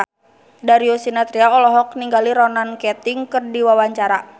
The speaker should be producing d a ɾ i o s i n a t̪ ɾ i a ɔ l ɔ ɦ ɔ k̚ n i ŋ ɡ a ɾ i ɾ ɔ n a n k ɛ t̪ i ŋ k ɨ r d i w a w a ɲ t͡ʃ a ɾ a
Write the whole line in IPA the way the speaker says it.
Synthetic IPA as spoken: d a ɾ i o s i n a t̪ ɾ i a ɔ l ɔ ɦ ɔ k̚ n i ŋ ɡ a l i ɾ ɔ n a n k ɛ t̪ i ŋ k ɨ r d i w a w a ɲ t͡ʃ a ɾ a